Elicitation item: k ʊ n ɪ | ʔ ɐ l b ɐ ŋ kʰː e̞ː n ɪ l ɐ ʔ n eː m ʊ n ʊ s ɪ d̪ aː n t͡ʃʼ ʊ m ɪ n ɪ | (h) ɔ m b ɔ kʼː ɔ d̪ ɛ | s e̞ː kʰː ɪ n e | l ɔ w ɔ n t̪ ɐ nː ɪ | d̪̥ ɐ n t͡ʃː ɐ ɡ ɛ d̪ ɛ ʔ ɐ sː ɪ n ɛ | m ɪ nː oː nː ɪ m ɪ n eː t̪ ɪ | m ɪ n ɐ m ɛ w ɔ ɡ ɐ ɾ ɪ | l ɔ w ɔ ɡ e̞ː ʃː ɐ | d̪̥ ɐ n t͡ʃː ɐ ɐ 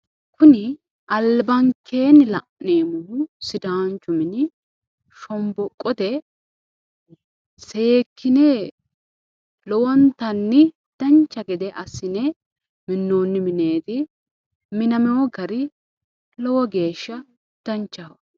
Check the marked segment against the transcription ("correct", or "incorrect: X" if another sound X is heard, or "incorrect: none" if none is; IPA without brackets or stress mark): incorrect: ʃ